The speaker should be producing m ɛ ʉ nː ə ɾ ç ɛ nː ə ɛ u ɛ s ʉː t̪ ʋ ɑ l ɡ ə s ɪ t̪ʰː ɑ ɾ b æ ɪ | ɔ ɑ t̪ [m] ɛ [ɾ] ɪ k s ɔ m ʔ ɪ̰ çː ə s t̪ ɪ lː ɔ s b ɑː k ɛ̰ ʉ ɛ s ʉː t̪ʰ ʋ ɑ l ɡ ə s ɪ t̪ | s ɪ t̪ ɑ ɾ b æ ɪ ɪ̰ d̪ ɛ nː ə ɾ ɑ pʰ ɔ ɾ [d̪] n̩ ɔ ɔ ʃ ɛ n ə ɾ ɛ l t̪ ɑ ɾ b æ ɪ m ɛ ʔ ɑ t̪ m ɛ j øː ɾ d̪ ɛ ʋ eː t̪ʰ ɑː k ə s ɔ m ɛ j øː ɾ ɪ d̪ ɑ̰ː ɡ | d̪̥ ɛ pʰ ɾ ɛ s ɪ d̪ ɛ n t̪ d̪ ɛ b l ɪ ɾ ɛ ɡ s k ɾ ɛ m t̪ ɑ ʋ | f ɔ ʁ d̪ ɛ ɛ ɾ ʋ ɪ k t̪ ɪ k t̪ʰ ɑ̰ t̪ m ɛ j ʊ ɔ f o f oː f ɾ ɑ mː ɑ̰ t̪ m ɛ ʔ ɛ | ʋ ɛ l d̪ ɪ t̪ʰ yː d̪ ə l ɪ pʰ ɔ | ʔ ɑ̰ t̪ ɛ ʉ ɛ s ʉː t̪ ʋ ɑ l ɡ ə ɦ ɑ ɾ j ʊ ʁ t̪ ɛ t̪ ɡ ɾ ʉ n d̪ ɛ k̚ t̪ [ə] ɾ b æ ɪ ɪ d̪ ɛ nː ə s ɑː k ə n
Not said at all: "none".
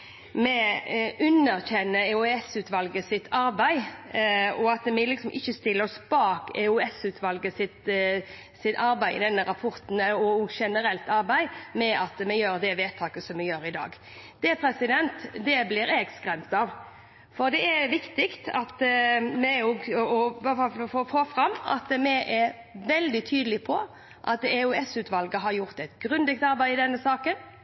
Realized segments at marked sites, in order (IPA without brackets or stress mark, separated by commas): m, l, t̪, ɑ